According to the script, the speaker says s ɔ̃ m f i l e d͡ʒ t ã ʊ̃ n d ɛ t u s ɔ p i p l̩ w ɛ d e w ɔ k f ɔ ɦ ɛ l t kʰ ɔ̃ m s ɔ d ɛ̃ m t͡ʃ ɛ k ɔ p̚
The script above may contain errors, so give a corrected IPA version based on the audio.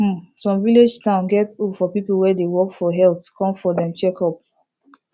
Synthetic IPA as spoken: s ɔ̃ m v i l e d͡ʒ t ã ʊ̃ n ɡ ɛ t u f ɔ p i p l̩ w ɛ d e w ɔ k f ɔ ɦ ɛ l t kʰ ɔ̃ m f ɔ d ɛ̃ m t͡ʃ ɛ k ɔ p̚